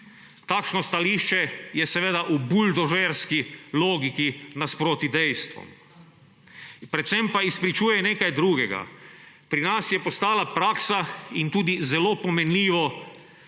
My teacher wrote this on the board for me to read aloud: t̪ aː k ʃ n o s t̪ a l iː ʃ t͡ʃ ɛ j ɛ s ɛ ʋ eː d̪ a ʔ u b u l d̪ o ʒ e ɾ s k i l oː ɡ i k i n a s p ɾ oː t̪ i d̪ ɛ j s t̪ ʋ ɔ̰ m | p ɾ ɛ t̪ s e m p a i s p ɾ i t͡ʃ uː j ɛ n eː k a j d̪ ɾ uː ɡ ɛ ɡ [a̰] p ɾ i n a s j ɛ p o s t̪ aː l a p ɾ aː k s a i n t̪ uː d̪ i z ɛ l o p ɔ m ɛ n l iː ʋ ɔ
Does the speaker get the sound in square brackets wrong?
no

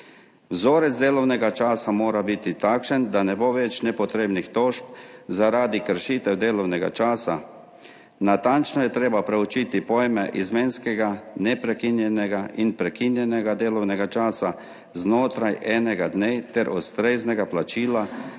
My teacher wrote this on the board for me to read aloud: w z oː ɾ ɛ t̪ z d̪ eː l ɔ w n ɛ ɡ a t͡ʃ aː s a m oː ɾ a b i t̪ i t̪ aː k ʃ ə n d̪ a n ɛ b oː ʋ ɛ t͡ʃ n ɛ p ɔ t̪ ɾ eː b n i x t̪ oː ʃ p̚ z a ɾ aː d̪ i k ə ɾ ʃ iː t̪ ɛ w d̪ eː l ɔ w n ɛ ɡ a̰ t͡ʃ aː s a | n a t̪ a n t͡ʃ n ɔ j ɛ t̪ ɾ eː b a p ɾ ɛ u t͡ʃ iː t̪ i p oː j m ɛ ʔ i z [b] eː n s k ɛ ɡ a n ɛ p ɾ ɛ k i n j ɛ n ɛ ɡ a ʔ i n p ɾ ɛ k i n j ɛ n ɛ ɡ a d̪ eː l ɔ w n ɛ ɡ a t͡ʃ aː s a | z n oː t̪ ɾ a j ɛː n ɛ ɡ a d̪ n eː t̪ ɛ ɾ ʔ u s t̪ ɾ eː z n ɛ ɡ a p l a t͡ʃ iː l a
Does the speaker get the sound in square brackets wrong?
yes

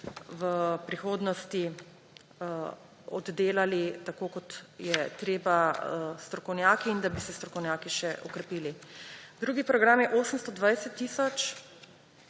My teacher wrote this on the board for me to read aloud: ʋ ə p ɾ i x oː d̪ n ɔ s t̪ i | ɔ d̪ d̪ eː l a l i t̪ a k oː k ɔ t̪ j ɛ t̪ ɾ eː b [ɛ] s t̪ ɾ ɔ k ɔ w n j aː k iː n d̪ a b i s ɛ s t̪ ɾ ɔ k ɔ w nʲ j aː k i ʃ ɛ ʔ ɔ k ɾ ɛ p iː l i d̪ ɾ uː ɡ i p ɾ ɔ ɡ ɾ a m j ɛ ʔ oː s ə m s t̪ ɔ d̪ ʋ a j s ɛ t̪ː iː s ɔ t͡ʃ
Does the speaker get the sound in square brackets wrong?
yes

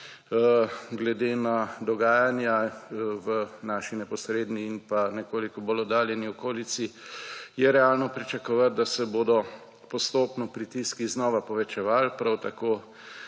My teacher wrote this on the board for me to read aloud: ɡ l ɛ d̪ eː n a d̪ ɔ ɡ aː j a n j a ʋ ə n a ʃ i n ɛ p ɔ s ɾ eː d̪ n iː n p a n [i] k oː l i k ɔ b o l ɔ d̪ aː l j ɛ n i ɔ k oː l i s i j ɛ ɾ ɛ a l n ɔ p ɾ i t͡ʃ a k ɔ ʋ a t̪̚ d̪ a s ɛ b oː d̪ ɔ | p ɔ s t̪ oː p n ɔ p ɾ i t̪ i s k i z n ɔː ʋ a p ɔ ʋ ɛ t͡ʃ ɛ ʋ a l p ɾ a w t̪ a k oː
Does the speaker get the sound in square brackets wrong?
yes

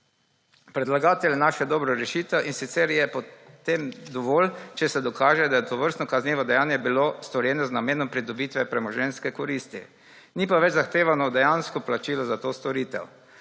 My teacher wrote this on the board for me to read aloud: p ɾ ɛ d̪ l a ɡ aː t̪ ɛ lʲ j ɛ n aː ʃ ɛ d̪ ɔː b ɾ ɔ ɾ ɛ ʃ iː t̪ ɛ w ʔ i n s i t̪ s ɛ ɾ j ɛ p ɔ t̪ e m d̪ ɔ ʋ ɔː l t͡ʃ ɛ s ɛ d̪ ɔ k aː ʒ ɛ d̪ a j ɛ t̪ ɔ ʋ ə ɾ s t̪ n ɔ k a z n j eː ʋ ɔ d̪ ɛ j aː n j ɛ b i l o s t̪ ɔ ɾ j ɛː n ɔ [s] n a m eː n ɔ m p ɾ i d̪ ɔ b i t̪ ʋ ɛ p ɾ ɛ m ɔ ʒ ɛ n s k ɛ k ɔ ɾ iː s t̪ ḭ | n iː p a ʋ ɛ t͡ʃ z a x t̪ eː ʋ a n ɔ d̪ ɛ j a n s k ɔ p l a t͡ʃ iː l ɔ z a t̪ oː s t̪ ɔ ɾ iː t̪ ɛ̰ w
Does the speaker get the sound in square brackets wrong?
yes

